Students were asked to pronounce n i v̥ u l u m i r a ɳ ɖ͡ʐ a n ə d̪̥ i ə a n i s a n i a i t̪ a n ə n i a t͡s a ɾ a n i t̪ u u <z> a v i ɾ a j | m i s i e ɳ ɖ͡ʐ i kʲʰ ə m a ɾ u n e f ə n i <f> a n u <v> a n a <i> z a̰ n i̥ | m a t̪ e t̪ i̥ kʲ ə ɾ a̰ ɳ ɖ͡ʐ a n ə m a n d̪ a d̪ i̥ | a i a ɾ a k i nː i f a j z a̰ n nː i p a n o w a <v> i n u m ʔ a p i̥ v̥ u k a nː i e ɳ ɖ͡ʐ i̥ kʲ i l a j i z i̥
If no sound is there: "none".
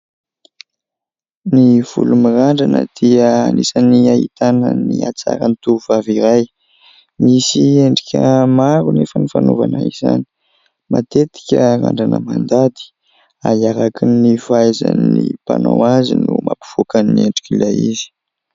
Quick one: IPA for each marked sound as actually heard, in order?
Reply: v, f, v, i, z

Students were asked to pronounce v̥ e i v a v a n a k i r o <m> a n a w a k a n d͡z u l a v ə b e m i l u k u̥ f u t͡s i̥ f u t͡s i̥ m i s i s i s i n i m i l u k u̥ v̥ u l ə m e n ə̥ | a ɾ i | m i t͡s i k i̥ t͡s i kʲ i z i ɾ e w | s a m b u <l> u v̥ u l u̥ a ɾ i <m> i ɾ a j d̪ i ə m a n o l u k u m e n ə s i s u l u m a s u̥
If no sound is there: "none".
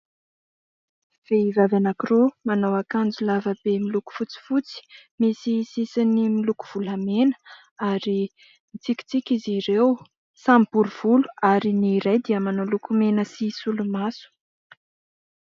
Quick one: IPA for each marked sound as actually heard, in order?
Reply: m, ɾ, n

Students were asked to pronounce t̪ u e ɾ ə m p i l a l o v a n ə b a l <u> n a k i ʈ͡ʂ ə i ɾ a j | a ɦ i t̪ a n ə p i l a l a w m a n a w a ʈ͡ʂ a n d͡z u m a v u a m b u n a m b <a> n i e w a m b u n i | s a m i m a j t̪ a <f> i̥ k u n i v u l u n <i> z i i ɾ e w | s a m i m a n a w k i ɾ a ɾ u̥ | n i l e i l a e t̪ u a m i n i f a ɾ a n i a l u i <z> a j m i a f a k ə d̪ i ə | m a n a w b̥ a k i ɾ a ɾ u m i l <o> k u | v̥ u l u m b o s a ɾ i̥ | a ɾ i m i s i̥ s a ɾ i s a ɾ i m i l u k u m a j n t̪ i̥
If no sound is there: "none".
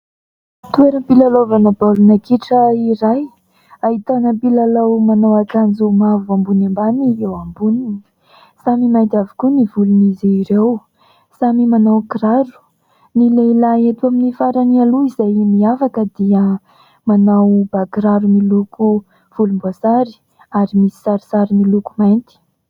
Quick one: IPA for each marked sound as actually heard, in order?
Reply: u, a, v, i, z, u

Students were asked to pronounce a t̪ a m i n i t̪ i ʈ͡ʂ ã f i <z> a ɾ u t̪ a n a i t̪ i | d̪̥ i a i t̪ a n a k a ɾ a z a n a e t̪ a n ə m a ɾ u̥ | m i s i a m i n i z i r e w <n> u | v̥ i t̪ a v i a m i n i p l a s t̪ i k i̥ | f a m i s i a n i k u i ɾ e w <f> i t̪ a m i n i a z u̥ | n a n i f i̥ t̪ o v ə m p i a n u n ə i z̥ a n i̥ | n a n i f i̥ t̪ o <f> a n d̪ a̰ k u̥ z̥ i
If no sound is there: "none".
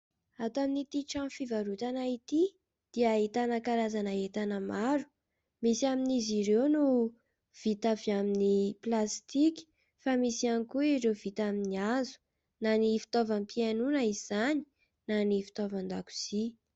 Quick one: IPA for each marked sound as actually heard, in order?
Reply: v, n, v, v

